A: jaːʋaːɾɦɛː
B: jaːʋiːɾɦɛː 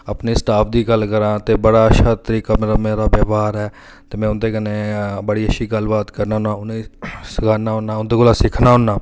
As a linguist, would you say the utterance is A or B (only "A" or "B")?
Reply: A